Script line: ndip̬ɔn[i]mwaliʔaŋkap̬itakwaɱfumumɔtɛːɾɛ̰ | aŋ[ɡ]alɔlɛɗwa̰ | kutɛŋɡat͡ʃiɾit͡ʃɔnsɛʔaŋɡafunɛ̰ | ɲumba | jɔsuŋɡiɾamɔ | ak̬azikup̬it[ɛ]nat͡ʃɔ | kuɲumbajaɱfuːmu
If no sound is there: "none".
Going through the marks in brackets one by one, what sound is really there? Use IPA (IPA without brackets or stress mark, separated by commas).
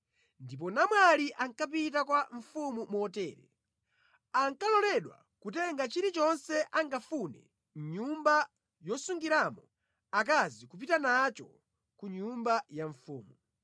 a, k, a